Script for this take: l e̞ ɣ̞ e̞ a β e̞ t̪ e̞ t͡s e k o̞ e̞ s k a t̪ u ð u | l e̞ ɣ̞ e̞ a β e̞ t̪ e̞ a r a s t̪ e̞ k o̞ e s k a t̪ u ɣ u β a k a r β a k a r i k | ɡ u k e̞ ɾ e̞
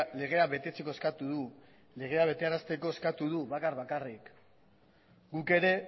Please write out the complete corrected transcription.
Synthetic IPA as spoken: l e̞ ɣ̞ e̞ a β e̞ t̪ e̞ t͡s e k o̞ e̞ s k a t̪ u ð u | l e̞ ɣ̞ e̞ a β e̞ t̪ e̞ a ɾ a s t̪ e̞ k o̞ e s k a t̪ u ð u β a k a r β a k a r i k | ɡ u k e̞ ɾ e̞